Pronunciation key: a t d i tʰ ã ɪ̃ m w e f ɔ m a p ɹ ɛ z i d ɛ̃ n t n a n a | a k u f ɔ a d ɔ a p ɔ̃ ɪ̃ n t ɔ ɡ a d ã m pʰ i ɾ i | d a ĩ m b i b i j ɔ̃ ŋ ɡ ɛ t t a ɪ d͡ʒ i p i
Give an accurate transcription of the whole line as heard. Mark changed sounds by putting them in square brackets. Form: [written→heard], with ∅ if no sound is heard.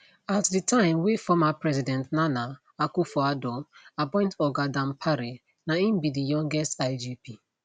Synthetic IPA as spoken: a t d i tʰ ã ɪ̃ m w e f ɔ m a p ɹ ɛ z i d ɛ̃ n t n a n a | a k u f ɔ a d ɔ a p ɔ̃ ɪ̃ n t ɔ ɡ a d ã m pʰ [i→a] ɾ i | [d→n] a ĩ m b i [b→d] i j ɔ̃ ŋ ɡ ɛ [t→s] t a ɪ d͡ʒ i p i